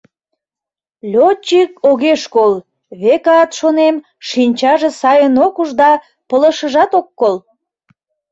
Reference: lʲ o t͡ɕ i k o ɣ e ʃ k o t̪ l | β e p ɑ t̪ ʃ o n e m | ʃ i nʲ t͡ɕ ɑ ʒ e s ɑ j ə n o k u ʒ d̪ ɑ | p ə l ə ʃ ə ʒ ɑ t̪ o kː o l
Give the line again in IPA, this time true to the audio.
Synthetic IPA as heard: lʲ o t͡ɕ i k o ɣ e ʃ k o l | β e k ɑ t̪ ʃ o n e m | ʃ i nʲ t͡ɕ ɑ ʒ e s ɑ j ə n o k u ʒ d̪ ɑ | p ə l ə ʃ ə ʒ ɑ t̪ o kː o l